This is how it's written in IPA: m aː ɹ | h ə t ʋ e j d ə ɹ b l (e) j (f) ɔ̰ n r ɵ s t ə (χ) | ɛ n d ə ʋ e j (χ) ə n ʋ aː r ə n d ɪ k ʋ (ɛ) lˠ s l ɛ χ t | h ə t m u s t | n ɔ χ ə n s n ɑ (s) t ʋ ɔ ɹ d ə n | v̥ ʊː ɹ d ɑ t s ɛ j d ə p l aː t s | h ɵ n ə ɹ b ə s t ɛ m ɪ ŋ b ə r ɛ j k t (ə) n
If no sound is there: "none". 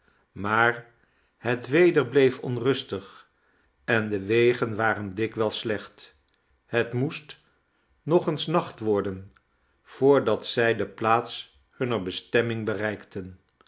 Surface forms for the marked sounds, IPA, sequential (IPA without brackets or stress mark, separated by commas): e, f, χ, χ, ɛ, χ, ə